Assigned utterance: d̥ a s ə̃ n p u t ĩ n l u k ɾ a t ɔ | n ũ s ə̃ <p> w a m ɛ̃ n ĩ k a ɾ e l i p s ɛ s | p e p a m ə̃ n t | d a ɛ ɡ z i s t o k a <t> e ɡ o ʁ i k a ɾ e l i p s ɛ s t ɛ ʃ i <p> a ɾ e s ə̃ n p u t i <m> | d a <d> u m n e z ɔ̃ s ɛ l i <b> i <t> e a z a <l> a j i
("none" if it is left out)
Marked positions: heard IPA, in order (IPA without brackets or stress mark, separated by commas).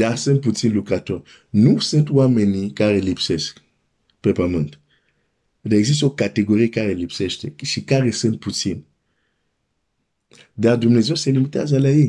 t, t, k, n, d, m, t, l